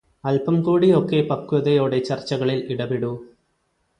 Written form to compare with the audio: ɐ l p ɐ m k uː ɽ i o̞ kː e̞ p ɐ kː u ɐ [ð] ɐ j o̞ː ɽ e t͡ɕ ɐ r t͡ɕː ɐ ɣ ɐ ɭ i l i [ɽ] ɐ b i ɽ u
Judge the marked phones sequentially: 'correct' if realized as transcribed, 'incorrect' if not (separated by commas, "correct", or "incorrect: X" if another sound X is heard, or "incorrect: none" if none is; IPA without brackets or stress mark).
correct, correct